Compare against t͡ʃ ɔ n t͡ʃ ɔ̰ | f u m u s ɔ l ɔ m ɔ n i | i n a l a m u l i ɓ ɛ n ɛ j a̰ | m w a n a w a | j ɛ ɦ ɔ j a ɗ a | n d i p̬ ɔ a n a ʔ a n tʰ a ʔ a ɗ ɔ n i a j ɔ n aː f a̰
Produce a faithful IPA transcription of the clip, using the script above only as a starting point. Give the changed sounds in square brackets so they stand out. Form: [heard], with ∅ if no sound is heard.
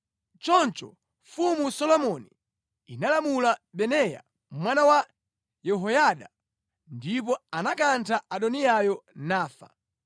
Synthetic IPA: t͡ʃ ɔ n t͡ʃ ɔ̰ | f u m u s ɔ l ɔ m ɔ n i | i n a l a m u l [a] ɓ ɛ n ɛ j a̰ | m w a n a w a | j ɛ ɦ ɔ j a ɗ a | n d i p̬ ɔ a n a [k] a n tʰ a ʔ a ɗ ɔ n i a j ɔ n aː f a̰